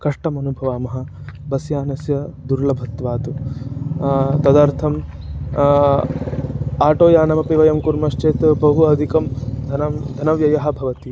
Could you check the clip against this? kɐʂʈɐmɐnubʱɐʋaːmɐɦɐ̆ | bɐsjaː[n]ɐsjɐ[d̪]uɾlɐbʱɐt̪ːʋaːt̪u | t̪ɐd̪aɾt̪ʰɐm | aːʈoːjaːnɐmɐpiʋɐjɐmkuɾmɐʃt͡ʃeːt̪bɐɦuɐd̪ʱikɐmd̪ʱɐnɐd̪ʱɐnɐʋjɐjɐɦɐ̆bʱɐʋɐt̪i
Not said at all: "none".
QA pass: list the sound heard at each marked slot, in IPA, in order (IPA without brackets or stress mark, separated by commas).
n, d̪